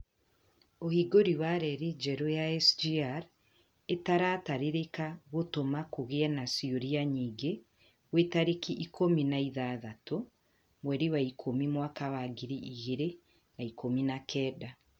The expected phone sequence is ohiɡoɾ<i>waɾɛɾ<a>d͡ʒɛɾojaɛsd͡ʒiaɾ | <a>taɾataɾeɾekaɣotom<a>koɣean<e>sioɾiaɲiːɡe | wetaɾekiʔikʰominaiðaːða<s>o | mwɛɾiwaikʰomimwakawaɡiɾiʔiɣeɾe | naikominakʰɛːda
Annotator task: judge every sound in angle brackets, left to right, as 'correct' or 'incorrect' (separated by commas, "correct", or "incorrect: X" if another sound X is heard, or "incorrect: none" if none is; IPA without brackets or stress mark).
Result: correct, incorrect: i, incorrect: e, correct, incorrect: a, incorrect: t